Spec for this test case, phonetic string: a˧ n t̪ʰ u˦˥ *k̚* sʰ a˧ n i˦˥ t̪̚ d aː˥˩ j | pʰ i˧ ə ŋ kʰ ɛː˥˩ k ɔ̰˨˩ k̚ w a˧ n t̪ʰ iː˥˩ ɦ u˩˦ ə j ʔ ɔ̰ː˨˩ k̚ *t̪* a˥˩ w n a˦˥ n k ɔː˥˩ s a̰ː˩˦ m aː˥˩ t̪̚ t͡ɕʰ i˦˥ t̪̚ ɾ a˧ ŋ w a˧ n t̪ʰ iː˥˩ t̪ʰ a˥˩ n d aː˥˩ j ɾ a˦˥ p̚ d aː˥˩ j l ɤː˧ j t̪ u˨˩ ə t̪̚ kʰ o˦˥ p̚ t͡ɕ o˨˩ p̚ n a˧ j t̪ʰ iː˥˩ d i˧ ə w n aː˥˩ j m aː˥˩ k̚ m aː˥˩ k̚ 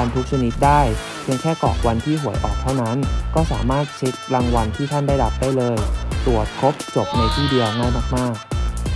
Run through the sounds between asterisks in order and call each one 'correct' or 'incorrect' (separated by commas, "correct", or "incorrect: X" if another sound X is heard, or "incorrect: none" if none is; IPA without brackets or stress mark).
correct, incorrect: t̪ʰ